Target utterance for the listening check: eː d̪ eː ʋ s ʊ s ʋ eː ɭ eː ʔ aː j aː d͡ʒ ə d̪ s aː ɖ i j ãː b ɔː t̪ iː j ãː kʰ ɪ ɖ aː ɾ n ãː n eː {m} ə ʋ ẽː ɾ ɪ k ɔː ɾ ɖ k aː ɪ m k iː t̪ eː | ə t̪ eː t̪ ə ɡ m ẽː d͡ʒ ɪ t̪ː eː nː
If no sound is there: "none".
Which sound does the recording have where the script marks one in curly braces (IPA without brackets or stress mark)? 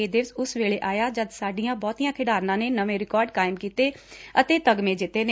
n